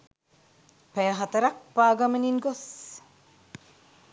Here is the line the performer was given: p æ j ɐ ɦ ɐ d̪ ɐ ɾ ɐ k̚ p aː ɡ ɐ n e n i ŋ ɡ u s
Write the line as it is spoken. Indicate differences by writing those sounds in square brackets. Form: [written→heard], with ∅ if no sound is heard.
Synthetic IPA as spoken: p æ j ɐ ɦ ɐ [d̪→t̪] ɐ ɾ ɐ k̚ p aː ɡ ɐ [n→m] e n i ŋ ɡ [u→o] s